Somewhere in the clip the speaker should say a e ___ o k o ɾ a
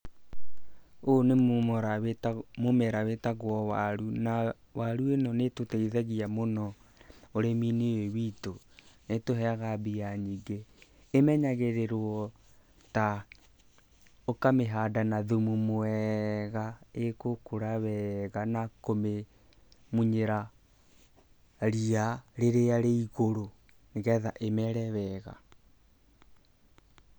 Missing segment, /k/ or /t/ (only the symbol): k